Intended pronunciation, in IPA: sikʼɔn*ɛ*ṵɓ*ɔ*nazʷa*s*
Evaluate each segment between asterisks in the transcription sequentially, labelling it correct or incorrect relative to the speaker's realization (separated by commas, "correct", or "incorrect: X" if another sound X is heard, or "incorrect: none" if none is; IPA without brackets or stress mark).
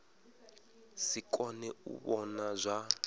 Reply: correct, correct, incorrect: none